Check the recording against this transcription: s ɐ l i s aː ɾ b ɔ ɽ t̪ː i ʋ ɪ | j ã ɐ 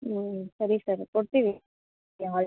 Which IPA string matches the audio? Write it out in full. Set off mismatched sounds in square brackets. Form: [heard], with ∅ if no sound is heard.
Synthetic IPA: s ɐ [ɾ] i s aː ɾ [p] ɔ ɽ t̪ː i ʋ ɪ | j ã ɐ